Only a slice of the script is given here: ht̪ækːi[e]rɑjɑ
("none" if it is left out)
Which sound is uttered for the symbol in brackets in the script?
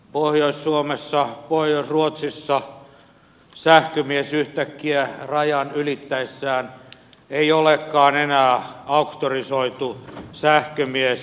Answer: æ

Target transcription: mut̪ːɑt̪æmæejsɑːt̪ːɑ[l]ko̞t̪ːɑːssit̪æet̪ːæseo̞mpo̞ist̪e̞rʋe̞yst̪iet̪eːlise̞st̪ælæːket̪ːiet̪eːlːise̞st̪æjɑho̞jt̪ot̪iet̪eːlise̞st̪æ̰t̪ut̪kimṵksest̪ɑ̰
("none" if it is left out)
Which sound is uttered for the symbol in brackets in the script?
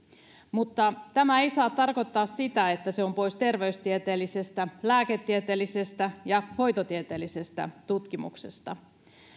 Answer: r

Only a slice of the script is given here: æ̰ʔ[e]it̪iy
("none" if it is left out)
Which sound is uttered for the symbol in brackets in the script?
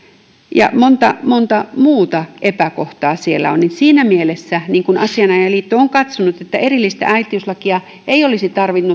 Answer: æ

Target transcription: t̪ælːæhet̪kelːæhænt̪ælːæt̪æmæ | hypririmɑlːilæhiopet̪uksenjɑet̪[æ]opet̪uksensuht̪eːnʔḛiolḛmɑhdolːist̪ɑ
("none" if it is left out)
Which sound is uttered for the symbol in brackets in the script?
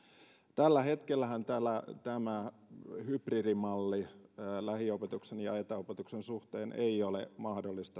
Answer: æ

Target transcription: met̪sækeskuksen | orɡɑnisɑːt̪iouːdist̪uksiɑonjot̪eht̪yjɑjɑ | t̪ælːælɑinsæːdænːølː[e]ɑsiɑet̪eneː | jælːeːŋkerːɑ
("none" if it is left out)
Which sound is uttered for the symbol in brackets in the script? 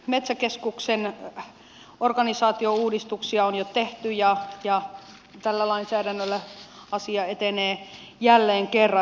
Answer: æ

